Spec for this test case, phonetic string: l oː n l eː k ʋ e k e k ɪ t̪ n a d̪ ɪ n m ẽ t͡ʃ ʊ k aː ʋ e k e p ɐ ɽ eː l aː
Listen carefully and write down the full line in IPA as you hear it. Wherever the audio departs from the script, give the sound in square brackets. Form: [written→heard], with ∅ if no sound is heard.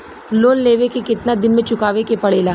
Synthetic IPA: l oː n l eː [k→∅] ʋ e k e k ɪ t̪ n a d̪ ɪ n m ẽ t͡ʃ ʊ k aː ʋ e k e p ɐ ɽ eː l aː